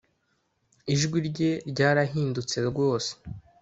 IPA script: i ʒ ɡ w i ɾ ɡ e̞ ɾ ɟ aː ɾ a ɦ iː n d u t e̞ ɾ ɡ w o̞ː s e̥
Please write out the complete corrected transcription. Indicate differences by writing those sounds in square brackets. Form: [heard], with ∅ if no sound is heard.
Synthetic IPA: i ʒ ɡ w i ɾ [ɟ] e̞ ɾ ɟ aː ɾ a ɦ iː n d u [t͡s] e̞ ɾ ɡ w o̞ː s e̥